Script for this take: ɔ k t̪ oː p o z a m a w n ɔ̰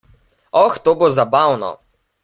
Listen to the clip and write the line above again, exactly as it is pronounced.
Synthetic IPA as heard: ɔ x t̪ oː b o z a b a w n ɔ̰